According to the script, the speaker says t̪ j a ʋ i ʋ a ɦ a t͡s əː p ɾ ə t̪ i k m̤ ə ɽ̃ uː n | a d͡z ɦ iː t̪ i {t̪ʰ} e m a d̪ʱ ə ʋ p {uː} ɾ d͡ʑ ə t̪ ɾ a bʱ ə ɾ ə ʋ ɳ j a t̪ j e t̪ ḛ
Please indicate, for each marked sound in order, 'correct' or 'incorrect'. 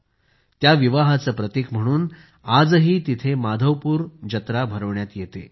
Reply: correct, correct

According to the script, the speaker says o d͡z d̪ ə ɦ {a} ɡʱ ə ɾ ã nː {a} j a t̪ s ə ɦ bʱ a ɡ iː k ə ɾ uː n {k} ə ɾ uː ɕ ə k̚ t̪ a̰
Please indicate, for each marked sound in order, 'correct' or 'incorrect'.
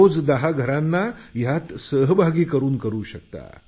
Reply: correct, correct, correct

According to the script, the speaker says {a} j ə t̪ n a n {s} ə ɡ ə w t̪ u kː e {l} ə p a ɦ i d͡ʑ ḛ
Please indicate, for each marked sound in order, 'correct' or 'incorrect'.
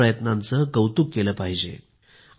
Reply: incorrect, incorrect, correct

